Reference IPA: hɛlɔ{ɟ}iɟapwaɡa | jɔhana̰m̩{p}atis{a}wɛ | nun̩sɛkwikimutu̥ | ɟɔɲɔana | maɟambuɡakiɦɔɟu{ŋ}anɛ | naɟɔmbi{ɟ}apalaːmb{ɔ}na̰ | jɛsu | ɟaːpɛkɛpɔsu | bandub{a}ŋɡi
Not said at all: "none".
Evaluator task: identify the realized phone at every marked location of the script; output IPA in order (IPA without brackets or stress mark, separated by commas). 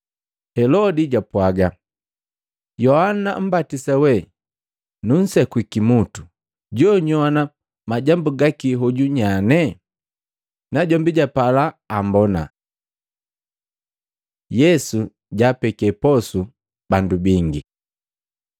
d, b, a, ɲ, ɟ, ɔ, i